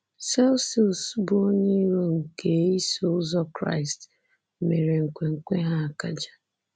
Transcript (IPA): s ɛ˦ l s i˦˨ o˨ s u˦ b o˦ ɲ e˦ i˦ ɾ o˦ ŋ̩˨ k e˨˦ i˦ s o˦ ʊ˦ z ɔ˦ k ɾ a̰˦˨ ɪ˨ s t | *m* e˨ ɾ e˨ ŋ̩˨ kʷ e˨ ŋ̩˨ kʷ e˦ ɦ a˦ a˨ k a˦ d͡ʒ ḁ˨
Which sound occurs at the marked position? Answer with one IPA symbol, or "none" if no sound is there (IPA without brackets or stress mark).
m